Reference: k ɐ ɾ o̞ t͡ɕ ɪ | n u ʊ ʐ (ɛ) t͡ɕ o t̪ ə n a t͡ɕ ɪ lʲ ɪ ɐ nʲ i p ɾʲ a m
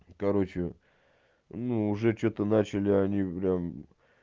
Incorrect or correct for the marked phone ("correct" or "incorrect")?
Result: correct